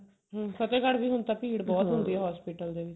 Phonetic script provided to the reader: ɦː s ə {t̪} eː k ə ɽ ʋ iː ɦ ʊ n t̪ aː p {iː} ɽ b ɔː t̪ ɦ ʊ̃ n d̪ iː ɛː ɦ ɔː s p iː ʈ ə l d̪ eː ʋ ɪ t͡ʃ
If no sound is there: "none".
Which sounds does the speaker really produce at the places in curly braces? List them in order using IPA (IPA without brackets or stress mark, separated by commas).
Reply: t̪, iː